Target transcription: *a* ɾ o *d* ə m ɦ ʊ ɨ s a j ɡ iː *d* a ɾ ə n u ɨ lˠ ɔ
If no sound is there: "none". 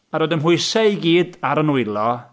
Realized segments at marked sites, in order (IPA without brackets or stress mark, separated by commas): a, d, d